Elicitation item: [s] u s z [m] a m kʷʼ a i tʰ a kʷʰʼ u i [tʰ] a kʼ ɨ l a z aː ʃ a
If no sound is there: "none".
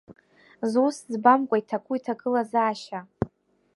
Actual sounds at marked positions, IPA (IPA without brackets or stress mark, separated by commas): z, b, tʰ